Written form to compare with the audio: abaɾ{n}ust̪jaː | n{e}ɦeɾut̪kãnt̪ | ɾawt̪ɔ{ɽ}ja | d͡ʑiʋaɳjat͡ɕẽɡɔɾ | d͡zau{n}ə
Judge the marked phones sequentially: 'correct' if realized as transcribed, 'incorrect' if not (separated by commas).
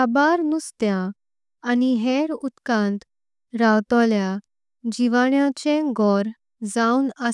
correct, incorrect, incorrect, correct